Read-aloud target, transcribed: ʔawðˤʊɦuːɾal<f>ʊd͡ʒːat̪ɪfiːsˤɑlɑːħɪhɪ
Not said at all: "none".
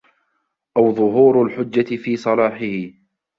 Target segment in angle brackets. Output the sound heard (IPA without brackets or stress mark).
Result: ħ